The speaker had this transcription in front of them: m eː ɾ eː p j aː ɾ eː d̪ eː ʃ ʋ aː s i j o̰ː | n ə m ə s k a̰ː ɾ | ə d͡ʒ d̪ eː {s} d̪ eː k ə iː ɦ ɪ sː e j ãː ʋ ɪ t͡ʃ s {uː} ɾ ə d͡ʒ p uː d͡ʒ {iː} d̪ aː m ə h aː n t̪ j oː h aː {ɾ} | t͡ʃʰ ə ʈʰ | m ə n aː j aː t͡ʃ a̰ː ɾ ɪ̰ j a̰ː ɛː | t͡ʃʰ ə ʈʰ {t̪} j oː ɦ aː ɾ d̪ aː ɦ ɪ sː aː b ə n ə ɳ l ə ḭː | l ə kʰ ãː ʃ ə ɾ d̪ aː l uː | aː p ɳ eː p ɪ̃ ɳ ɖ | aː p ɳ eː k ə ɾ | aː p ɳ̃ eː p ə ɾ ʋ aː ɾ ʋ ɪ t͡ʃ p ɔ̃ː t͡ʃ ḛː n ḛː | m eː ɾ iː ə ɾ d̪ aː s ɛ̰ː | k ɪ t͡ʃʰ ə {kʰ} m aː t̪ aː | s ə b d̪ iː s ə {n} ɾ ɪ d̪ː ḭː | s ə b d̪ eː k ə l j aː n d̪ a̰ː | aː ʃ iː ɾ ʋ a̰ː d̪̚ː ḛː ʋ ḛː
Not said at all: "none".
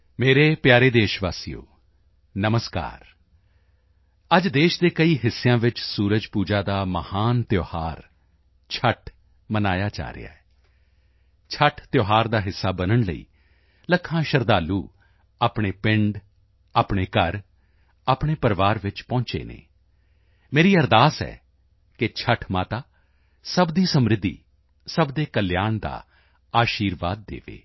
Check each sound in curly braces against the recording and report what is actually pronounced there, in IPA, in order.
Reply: ʃ, uː, aː, ɾ, t̪, ʈʰ, m

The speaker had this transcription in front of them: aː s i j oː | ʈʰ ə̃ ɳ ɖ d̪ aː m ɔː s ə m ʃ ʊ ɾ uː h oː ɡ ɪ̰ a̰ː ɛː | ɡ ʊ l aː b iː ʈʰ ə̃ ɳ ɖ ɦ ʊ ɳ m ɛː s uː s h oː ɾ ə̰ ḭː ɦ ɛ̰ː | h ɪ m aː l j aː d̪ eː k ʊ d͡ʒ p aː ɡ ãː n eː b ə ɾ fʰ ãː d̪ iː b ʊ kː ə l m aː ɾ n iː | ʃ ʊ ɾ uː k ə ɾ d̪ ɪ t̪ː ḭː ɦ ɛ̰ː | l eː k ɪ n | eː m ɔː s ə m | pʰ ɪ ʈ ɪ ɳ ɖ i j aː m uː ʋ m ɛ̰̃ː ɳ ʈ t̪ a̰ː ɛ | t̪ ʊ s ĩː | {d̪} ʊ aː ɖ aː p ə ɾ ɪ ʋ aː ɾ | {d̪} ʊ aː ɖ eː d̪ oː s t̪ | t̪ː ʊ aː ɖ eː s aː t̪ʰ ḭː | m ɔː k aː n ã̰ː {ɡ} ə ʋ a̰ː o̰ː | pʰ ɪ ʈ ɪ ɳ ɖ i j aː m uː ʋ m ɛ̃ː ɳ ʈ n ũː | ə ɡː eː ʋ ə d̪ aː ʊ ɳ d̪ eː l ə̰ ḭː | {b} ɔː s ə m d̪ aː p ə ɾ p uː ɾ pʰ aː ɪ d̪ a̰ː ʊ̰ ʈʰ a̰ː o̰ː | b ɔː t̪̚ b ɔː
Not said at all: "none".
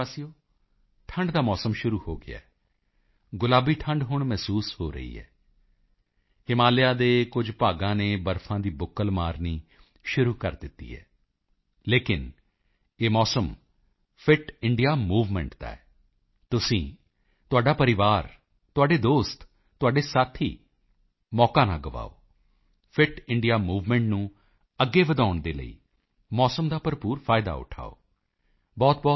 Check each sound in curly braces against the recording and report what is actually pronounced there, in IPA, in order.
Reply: t̪, t̪, ɡ, m

